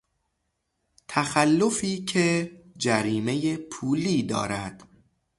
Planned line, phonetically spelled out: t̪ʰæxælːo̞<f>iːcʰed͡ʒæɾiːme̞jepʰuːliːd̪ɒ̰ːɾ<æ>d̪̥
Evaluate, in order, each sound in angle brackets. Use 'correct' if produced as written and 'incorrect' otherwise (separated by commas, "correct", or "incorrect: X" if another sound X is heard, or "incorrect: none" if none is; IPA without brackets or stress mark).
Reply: correct, correct